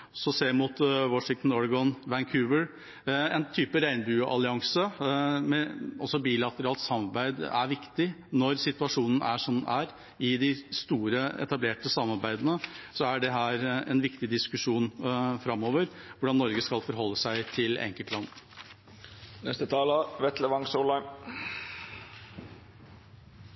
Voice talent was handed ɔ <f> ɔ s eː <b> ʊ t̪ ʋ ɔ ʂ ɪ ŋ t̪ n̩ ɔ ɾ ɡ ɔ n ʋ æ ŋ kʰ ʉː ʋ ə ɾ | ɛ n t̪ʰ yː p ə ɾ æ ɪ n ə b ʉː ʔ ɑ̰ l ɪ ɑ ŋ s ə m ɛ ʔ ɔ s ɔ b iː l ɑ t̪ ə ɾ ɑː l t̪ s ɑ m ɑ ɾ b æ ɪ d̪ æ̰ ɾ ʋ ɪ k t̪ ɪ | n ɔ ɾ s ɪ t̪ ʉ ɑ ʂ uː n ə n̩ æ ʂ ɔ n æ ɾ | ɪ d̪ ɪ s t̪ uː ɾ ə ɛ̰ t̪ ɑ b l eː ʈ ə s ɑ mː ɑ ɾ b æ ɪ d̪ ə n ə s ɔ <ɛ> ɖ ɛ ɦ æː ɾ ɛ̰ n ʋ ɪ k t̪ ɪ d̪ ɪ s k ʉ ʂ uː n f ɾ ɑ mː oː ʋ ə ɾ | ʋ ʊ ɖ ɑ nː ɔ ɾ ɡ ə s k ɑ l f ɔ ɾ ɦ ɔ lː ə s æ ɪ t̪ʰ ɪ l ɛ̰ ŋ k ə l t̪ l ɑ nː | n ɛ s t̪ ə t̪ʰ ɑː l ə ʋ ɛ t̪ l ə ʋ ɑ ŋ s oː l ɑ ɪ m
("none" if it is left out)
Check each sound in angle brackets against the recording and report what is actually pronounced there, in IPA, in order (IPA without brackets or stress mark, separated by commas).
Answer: s, m, æ